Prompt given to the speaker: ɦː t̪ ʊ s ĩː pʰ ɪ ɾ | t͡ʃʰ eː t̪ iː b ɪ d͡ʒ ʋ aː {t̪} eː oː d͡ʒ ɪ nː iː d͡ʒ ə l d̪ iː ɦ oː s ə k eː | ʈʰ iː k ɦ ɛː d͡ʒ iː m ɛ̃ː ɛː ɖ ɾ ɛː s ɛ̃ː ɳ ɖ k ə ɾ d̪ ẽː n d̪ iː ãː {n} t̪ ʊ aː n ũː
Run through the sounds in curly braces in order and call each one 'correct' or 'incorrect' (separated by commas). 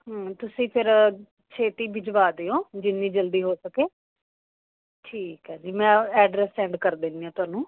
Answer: incorrect, incorrect